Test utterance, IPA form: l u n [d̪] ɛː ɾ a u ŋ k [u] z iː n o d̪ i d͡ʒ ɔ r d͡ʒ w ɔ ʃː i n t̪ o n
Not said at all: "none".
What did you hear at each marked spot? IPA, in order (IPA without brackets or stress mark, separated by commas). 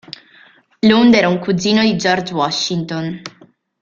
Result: d̪, u